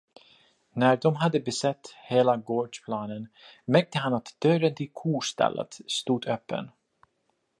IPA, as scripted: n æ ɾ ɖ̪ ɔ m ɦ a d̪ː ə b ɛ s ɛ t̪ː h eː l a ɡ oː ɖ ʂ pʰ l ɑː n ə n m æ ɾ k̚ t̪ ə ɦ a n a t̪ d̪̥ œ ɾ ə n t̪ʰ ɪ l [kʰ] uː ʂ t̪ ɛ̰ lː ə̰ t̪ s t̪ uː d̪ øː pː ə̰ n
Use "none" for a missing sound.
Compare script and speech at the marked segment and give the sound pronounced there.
kʰ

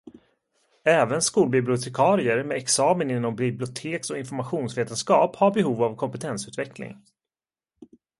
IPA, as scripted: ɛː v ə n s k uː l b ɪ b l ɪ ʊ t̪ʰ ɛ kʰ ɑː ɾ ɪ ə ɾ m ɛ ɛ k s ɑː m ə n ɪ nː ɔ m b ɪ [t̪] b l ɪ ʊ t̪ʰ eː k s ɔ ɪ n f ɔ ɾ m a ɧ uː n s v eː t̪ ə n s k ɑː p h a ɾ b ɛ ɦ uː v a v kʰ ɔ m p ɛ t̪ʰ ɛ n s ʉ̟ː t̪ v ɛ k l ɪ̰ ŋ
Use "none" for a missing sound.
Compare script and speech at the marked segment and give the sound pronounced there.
none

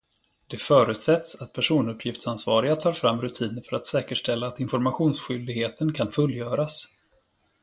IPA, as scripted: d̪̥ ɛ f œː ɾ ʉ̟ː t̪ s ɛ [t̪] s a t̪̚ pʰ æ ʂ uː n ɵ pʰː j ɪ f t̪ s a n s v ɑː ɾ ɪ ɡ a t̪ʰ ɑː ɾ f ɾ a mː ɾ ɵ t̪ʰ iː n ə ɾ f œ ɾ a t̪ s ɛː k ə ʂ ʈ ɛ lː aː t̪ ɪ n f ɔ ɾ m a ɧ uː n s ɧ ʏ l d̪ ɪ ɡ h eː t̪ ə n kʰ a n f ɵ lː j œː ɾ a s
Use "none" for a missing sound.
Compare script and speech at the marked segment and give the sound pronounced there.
t̪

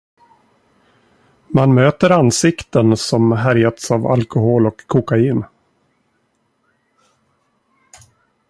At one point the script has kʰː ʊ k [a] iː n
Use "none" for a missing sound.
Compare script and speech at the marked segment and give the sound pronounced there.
a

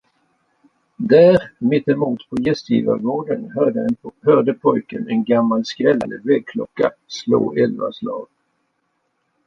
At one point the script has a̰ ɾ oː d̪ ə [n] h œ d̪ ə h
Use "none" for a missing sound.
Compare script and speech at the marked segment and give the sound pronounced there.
n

